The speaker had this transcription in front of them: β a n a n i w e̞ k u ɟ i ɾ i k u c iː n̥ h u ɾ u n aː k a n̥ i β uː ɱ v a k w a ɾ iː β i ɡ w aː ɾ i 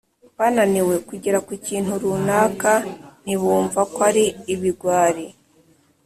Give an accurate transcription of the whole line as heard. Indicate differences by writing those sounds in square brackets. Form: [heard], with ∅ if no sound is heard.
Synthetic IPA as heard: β a n a n i w e̞ k u ɟ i ɾ [a] k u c iː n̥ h u ɾ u n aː k a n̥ i β uː ɱ v a k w a ɾ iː β i ɡ w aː ɾ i